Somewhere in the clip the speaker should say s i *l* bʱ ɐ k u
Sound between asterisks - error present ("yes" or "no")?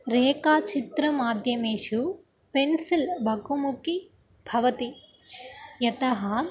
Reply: no